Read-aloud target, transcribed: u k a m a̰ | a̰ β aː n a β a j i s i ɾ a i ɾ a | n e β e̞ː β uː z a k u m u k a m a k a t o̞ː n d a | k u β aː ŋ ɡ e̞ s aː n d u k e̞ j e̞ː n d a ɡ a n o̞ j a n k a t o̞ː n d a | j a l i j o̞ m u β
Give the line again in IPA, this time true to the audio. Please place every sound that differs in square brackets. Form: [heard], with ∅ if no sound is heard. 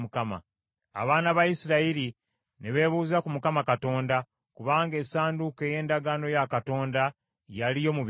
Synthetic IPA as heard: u k a m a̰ | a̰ β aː n a β a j i s i ɾ a i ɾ [i] | n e β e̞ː β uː z a k u m u k a m a k a t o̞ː n d a | k u β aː ŋ ɡ e̞ s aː n d u k e̞ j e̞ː n d a ɡ a n o̞ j a [∅] k a t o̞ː n d a | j a l i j o̞ m u β